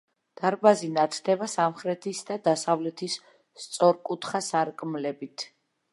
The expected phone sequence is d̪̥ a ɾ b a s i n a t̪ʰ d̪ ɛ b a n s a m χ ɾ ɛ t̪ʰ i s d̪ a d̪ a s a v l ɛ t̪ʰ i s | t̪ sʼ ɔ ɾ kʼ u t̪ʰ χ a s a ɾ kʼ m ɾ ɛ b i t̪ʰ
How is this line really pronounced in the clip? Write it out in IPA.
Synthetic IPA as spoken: d̪̥ a ɾ b a z i n a t̪ʰ d̪ ɛ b a s a m χ ɾ ɛ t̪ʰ i s d̪ a d̪ a s a v l ɛ t̪ʰ i s | t̪ sʼ ɔ ɾ kʼ u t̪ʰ χ a s a ɾ kʼ m l ɛ b i t̪ʰ